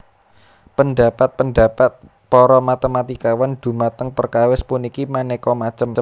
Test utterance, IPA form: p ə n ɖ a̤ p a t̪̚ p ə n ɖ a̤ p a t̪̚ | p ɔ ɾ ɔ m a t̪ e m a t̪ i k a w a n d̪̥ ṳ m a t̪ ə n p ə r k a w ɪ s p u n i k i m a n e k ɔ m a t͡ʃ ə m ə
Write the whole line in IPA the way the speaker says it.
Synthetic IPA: p ə n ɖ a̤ p a t̪̚ p ə n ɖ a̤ p a t̪̚ | p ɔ ɾ ɔ m a t̪ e m a t̪ i k a w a n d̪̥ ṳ m a t̪ ə ŋ p ə r k a w ɪ s p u n i k i m a n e k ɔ m a t͡ʃ ə m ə